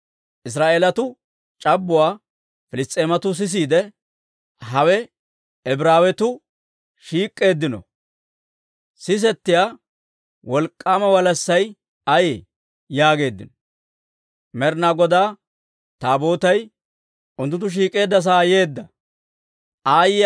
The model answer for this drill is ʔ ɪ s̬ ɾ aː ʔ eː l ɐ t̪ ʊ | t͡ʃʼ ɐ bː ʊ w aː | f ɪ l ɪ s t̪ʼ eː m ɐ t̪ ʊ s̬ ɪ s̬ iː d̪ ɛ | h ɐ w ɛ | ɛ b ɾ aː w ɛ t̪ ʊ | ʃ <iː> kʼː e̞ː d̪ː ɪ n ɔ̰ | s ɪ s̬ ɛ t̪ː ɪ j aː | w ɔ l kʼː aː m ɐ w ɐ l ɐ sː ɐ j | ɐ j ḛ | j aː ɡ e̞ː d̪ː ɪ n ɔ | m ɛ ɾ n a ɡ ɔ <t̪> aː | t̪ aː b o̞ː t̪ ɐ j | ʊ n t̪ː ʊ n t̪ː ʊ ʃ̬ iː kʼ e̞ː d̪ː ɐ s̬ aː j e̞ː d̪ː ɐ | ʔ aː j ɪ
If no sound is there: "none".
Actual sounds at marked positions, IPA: iː, d̪

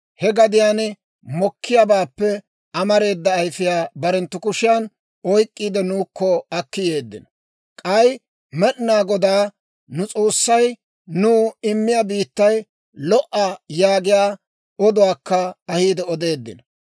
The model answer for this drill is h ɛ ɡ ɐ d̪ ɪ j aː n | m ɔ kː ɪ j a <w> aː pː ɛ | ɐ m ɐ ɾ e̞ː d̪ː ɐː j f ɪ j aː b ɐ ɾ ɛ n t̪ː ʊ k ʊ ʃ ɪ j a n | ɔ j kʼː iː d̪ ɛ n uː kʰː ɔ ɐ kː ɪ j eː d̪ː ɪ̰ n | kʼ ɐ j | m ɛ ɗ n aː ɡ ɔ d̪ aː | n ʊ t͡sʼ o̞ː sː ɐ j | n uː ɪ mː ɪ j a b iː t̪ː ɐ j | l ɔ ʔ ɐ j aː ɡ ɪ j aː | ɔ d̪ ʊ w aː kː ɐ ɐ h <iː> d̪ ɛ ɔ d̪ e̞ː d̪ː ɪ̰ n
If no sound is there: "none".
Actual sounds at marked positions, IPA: b, iː

